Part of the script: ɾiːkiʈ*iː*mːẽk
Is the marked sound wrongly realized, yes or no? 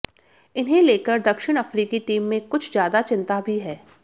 no